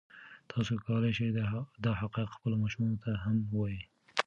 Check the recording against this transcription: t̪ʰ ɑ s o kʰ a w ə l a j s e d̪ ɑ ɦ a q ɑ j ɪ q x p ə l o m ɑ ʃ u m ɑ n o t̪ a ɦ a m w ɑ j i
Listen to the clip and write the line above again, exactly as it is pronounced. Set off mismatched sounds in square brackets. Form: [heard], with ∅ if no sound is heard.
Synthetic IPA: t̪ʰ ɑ s o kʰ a w ə l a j [ʃ] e d̪ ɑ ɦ a q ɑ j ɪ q x p ə l o m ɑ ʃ u m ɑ n o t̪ a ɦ a m w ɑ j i